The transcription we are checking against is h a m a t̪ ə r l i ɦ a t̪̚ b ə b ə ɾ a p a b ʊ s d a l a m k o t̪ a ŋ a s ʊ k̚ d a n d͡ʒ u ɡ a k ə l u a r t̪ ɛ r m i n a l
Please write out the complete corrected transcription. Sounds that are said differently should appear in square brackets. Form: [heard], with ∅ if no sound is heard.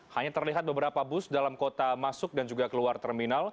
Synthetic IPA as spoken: h a [ɲ] a t̪ ə r l i ɦ a t̪̚ b ə b ə ɾ a p a b ʊ s d a l a m k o t̪ a [m] a s ʊ k̚ d a n d͡ʒ u ɡ a k ə l u a r t̪ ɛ r m i n a l